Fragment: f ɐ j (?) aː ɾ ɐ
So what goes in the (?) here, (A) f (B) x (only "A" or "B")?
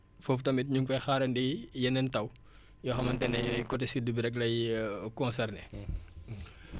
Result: B